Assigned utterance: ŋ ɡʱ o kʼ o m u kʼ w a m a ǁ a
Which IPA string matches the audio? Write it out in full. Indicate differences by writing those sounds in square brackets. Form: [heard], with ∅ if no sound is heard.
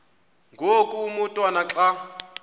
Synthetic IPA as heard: ŋ ɡʱ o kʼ [u] m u [tʼ] w a [n] a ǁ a